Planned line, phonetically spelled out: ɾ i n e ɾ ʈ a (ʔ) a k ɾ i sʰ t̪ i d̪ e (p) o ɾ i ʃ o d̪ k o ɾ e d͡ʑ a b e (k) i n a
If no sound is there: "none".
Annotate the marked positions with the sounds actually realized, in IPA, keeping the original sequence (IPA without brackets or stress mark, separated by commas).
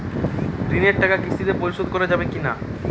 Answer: k, p, k